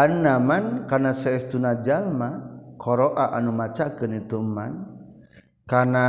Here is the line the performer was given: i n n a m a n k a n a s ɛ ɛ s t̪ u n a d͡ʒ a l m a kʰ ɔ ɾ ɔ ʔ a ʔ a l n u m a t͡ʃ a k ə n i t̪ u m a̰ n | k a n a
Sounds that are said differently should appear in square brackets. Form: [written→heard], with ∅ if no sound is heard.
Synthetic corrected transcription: [i→a] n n a m a n k a n a s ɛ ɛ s t̪ u n a d͡ʒ a l m a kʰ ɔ ɾ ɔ ʔ a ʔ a [l→∅] n u m a t͡ʃ a k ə n i t̪ u m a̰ n | k a n a